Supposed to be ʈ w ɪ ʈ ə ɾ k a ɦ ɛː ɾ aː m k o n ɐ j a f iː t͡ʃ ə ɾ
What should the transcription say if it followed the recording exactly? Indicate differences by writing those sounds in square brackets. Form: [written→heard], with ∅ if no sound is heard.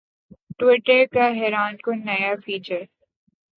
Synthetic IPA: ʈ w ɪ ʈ ə ɾ k a ɦ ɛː ɾ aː [m→n] k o n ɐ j a f iː t͡ʃ ə ɾ